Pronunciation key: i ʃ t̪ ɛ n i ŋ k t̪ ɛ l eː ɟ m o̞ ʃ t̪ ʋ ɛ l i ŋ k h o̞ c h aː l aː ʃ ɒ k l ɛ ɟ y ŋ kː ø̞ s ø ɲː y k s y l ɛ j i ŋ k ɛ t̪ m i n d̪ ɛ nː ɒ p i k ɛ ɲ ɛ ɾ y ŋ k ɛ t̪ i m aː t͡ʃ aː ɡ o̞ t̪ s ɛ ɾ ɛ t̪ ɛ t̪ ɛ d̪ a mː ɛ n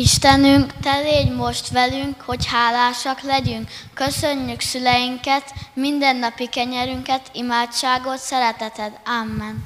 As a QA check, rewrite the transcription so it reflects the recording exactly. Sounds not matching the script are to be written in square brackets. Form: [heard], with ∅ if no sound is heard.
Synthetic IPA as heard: i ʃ t̪ ɛ n [y] ŋ k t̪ ɛ l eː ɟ m o̞ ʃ t̪ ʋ ɛ l [y] ŋ k h o̞ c h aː l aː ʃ ɒ k l ɛ ɟ y ŋ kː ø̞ s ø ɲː y k s y l ɛ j i ŋ k ɛ t̪ m i n d̪ ɛ nː ɒ p i k ɛ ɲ ɛ ɾ y ŋ k ɛ t̪ i m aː t͡ʃ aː ɡ o̞ t̪ s ɛ ɾ ɛ t̪ ɛ t̪ ɛ d̪ a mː ɛ n